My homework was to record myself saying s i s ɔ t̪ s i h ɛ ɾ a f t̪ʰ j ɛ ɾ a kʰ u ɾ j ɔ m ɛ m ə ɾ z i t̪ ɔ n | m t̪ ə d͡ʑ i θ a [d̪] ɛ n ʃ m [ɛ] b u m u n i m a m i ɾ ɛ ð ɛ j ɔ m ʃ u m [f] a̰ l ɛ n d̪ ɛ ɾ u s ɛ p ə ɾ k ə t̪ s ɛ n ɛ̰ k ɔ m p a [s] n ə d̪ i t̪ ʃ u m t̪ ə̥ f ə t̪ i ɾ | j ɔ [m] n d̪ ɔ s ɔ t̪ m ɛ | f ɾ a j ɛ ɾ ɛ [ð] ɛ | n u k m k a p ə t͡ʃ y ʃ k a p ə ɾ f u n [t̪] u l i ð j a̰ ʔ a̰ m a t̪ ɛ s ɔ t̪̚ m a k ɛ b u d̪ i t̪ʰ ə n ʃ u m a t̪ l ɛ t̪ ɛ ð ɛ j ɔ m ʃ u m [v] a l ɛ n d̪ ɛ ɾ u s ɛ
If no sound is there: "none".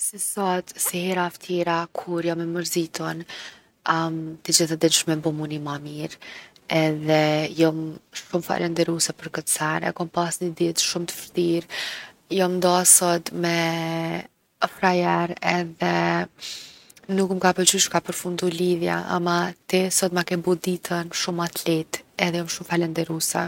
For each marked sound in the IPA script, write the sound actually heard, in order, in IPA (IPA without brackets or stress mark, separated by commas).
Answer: d̪, ɛ, f, s, m, ð, d̪, f